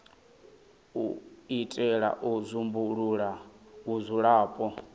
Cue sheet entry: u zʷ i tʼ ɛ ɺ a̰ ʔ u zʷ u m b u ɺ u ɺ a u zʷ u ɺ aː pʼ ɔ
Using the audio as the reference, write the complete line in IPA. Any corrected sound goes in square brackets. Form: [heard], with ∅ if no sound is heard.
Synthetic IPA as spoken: u [∅] i tʼ ɛ ɺ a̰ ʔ u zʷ u m b u ɺ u ɺ a u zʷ u ɺ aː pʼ ɔ